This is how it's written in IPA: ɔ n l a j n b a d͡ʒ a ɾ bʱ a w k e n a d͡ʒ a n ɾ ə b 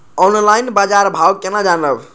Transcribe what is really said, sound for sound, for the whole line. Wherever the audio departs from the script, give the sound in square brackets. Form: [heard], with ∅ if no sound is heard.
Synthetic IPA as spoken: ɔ n l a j n b a d͡ʒ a ɾ bʱ a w k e n a d͡ʒ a n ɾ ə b